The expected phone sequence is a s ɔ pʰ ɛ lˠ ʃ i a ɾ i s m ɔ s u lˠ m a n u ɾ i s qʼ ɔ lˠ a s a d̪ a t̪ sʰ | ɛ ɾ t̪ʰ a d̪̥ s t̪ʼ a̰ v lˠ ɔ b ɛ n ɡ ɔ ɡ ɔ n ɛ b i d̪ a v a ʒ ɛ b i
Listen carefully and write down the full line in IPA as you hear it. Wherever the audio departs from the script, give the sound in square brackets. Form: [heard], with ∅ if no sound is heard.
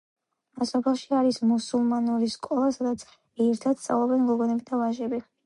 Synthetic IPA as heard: a s ɔ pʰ ɛ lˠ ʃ i a ɾ i s m [u] s u lˠ m a n u ɾ i s [kʼ] ɔ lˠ a s a d̪ a t̪ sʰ | ɛ ɾ t̪ʰ a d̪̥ s t̪ʼ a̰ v lˠ ɔ b ɛ n ɡ ɔ ɡ ɔ n ɛ b i d̪ a v a ʒ ɛ b i